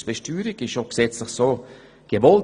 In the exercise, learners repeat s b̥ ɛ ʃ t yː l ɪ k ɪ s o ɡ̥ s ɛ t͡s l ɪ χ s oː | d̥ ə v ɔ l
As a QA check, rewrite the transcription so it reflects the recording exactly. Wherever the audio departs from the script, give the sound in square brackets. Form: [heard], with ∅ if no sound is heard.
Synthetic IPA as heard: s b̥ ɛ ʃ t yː [ɾ] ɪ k ɪ [ʃ] o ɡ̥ s ɛ t͡s l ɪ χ s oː | [ɡ̥] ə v ɔ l

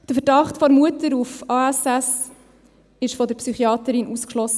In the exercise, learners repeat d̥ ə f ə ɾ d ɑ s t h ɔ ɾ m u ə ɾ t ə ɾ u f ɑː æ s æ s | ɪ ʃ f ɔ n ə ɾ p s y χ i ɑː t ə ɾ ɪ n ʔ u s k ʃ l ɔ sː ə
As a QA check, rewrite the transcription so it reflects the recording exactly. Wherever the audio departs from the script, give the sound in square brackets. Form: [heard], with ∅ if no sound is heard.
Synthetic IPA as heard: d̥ ə f ə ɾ d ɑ [χ] t [f] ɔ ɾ m u ə [∅] t ə ɾ u f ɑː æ s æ s | ɪ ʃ f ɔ [d] ə ɾ p s y χ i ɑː t ə ɾ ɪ n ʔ u s k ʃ l ɔ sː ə

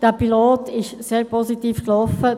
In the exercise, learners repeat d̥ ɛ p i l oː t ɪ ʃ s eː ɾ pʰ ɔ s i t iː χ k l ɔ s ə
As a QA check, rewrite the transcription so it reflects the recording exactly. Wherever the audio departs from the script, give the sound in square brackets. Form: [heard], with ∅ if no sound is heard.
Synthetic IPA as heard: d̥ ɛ p i l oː t ɪ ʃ s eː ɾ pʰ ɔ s i t iː [f] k l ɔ [f] ə

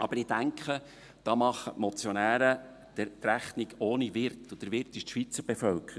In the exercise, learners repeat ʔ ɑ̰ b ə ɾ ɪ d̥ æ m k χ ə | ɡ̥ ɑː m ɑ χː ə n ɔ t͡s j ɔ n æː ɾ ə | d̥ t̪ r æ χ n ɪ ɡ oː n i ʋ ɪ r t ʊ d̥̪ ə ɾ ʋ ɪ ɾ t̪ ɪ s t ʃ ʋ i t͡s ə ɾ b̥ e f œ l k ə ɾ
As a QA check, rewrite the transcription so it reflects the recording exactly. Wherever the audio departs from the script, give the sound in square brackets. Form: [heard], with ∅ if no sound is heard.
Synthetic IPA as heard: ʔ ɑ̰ b ə ɾ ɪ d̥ æ [ŋ] k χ ə | [d̥] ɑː m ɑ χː ə [m] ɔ t͡s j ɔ n æː ɾ ə | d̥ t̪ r æ χ n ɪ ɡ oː n i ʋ ɪ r t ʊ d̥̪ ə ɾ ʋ ɪ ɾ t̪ ɪ [ʃ] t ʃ ʋ i t͡s ə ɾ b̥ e f œ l k ə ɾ

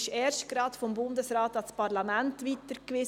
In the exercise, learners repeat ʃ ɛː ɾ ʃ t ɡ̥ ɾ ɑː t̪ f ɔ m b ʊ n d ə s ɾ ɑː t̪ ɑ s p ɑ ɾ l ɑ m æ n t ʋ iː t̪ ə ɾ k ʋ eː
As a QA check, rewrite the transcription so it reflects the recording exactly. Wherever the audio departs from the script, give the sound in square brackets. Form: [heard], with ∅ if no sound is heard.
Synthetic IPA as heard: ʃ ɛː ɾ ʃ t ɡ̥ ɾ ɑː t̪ f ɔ m b ʊ n d ə s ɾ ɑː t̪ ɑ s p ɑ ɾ l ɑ m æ n t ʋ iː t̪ ə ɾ k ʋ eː

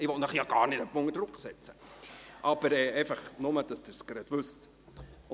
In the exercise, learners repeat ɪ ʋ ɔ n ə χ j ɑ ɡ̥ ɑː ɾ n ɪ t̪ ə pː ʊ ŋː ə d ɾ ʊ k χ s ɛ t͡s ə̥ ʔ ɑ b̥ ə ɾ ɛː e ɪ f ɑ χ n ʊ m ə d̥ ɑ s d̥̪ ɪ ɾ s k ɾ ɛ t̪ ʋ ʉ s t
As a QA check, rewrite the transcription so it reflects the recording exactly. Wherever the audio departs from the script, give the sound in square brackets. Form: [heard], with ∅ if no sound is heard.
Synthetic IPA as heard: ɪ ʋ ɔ n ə χ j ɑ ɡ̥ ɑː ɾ n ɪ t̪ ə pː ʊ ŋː ə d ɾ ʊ k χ s ɛ t͡s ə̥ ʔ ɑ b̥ ə ɾ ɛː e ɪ f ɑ χ n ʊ m ə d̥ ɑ s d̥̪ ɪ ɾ s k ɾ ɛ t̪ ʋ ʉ s t

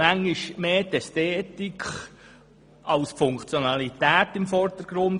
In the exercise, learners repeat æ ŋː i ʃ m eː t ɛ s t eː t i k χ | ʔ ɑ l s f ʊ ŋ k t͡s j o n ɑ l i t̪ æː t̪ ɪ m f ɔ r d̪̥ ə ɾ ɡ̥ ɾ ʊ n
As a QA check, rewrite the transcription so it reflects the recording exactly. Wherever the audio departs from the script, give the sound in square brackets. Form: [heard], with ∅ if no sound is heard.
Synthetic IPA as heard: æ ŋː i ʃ m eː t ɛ s t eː t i k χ | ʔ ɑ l s f ʊ ŋ k t͡s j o n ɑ l i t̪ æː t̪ ɪ m f ɔ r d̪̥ ə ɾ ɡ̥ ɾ ʊ n

